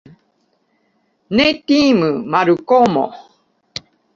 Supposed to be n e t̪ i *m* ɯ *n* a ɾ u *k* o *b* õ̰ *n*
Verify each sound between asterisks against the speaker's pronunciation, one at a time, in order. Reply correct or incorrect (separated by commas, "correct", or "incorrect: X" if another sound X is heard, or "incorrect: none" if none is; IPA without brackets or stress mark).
correct, incorrect: m, correct, incorrect: m, incorrect: none